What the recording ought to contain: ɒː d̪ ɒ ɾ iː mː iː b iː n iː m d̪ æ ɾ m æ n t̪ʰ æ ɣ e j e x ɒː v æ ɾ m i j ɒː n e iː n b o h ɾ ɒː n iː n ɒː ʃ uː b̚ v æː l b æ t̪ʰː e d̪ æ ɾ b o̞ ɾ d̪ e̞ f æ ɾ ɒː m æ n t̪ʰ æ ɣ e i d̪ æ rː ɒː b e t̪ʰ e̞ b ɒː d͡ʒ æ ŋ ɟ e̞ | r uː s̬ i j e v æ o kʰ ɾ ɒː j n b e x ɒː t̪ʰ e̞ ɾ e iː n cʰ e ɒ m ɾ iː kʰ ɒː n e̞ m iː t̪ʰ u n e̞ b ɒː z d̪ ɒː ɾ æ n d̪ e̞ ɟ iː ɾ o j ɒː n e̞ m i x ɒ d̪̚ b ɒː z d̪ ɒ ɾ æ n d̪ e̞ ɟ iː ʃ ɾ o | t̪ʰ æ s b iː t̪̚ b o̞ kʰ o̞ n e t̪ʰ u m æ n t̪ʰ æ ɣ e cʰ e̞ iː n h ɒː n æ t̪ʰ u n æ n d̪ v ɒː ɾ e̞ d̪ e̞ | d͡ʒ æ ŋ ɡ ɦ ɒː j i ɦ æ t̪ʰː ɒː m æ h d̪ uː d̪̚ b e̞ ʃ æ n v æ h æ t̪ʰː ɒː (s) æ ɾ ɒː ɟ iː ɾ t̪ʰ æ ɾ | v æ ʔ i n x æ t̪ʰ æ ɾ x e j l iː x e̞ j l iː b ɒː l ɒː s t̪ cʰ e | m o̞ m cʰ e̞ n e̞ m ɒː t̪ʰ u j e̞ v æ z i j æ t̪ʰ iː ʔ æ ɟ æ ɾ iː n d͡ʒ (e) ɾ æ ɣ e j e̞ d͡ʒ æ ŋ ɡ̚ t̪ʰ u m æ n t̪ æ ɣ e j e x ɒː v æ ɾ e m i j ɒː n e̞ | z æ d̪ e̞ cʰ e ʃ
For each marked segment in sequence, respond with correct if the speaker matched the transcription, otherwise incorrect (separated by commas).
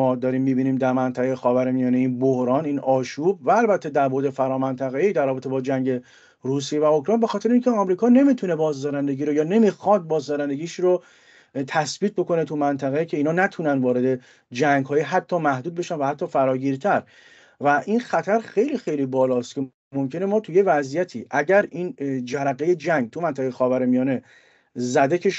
incorrect, incorrect